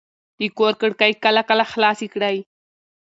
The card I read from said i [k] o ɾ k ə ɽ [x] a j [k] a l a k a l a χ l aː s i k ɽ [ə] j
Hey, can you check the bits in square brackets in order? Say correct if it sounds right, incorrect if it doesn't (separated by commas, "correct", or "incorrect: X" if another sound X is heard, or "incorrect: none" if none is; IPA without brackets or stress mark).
correct, incorrect: k, correct, incorrect: a